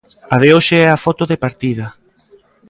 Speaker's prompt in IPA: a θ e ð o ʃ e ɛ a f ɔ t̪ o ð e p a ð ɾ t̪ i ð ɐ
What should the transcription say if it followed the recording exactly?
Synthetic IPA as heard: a ð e o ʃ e ɛ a f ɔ t̪ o ð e p a ɾ t̪ i ð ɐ